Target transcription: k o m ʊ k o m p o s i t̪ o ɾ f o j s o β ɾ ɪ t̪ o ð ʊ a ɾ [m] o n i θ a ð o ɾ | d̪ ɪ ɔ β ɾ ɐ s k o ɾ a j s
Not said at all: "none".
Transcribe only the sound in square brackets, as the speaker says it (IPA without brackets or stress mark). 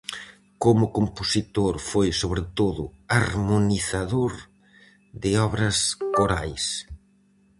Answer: m